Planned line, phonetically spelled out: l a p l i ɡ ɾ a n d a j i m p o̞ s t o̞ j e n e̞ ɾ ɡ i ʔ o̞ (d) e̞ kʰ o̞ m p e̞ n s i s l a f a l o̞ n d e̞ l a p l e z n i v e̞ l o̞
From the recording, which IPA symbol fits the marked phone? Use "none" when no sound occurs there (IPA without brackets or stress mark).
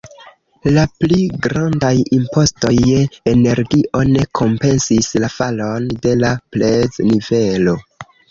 n